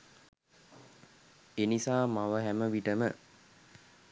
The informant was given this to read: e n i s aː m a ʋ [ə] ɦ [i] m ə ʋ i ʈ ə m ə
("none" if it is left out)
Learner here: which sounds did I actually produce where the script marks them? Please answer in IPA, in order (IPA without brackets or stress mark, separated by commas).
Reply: ə, æ